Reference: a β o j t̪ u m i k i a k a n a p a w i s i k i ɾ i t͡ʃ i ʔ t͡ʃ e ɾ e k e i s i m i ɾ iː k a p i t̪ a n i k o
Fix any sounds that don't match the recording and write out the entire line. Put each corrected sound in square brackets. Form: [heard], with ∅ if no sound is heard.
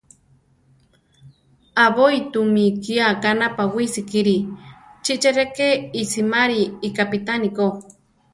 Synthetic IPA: a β o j t̪ u m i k i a k a n a p a w i s i k i ɾ i t͡ʃ i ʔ t͡ʃ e ɾ e k e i s i m [a] ɾ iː k a p i t̪ a n i k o